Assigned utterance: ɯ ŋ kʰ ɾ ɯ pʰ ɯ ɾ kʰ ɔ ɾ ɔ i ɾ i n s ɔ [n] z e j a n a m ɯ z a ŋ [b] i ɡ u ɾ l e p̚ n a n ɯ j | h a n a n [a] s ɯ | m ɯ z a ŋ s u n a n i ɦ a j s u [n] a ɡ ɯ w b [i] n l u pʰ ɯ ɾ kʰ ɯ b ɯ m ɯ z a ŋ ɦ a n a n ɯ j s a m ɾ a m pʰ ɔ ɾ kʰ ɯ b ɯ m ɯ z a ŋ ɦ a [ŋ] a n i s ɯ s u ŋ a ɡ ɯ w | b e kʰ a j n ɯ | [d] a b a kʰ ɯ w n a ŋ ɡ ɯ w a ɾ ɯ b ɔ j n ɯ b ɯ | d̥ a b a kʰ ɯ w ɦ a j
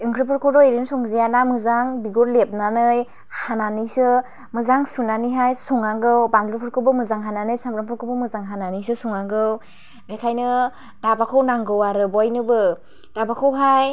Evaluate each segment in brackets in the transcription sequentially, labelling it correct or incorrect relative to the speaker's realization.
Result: incorrect: ŋ, correct, incorrect: i, incorrect: ŋ, incorrect: a, incorrect: n, correct

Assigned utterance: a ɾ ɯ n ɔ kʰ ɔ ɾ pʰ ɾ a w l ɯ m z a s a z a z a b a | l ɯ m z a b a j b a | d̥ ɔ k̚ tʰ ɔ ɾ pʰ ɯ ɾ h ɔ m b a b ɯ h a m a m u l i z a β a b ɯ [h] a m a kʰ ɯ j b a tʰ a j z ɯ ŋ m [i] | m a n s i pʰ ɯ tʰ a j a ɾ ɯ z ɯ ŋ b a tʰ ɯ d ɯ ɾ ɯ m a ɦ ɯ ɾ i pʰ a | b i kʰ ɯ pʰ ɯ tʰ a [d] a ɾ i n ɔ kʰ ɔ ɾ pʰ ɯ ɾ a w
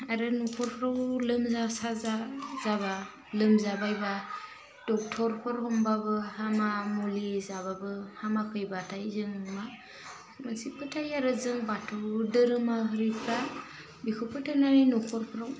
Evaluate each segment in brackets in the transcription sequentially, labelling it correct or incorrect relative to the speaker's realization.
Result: correct, incorrect: a, incorrect: n

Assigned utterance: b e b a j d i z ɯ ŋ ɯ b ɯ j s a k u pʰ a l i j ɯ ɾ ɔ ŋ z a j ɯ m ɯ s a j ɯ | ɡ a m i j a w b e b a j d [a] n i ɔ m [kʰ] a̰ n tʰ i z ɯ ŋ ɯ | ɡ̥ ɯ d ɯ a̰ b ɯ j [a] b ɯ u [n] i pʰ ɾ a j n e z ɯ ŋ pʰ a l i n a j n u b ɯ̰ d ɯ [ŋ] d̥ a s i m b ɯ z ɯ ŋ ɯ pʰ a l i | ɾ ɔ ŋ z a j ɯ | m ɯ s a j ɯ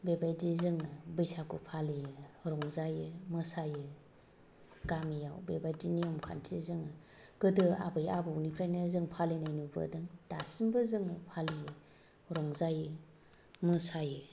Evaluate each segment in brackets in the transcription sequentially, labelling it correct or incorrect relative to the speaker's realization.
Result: incorrect: i, correct, correct, correct, correct

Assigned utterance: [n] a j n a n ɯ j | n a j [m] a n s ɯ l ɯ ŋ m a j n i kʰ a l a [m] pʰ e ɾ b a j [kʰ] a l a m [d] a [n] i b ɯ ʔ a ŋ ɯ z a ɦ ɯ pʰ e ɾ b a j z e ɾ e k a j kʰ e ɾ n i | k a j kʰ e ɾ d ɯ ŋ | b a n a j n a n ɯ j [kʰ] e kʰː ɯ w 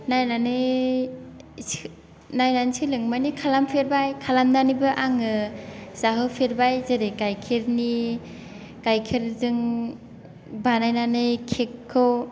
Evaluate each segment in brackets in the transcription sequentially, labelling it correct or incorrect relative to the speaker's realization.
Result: correct, incorrect: n, correct, correct, correct, correct, correct

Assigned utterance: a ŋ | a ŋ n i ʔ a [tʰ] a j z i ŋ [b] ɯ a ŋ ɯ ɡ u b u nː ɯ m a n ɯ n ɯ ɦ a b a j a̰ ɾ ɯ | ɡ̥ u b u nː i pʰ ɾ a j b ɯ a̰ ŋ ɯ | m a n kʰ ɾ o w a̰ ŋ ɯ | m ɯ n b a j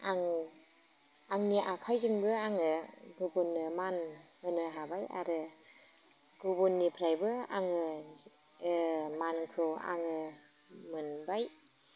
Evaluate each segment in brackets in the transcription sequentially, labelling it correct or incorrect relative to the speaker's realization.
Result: incorrect: kʰ, correct

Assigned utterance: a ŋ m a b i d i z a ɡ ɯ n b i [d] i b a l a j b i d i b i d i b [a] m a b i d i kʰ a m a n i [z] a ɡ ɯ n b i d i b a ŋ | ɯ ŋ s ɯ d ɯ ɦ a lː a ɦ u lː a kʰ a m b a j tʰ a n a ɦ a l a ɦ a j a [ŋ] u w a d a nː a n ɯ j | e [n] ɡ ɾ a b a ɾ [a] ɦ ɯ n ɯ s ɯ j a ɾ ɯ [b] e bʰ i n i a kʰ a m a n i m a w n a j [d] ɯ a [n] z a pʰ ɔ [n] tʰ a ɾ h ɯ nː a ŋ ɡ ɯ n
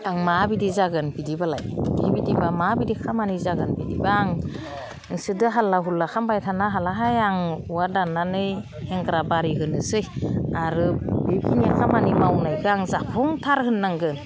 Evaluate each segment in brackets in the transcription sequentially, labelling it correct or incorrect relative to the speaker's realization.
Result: correct, correct, correct, correct, incorrect: ŋ, incorrect: i, correct, incorrect: ɡ, incorrect: ŋ, incorrect: ŋ

